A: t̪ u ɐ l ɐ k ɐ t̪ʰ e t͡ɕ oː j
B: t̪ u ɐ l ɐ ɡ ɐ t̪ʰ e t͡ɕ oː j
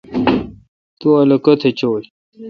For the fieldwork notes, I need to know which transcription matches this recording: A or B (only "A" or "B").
A